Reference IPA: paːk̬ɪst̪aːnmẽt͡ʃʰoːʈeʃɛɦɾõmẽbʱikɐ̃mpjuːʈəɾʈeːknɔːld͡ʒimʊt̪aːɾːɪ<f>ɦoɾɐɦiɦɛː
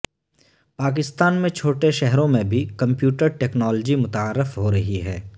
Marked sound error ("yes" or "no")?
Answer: no